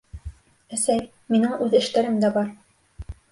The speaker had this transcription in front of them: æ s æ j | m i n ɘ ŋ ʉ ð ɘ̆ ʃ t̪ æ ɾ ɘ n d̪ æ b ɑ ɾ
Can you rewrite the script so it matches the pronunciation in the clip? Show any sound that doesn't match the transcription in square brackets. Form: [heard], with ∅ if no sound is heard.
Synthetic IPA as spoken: æ s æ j | m i n ɘ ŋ ʉ ð ɘ̆ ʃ t̪ æ ɾ ɘ [m] d̪ æ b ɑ ɾ